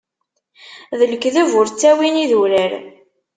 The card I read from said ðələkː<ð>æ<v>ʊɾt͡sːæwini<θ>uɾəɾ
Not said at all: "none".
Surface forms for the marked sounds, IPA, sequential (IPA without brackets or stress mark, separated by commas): ð, v, ð